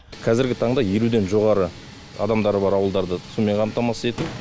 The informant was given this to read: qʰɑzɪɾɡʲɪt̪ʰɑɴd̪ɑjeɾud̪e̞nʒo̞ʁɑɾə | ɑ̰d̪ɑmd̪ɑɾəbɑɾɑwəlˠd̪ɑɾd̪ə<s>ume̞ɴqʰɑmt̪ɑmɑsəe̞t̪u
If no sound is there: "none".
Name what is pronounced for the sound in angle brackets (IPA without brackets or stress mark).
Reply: s